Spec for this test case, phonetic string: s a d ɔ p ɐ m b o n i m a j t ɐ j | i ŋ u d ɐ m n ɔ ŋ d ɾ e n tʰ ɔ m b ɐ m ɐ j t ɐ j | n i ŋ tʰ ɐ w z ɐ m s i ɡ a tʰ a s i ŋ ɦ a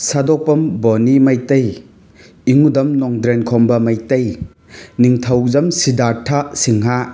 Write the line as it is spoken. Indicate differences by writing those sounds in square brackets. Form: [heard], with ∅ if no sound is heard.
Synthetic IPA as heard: s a d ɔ p ɐ m b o n i m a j t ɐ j | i ŋ u d ɐ m n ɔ ŋ d ɾ e n [kʰ] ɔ m b ɐ m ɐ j t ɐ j | n i ŋ tʰ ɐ w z ɐ m s i [d] a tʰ a s i ŋ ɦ a